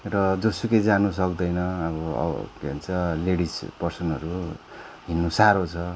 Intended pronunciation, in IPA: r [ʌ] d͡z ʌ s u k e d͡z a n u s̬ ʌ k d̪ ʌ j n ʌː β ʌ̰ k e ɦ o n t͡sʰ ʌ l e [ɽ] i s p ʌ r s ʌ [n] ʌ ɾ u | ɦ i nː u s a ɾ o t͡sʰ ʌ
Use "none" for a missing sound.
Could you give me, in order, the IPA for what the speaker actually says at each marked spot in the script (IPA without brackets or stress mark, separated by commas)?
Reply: ʌ, ɽ, n